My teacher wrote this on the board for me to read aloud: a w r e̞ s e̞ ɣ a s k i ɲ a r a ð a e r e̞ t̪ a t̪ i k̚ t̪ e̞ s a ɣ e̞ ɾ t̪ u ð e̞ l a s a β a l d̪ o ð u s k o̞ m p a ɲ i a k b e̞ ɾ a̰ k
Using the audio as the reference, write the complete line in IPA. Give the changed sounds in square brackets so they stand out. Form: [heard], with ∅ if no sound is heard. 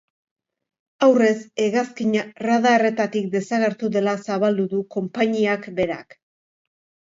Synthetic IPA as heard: a w r e̞ s e̞ ɣ a s k i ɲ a r a ð a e r e̞ t̪ a t̪ i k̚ [d̪] e̞ s a ɣ e̞ ɾ t̪ u ð e̞ l a s a β a l d̪ [u] ð u [∅] k o̞ m p a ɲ i a k b e̞ ɾ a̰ k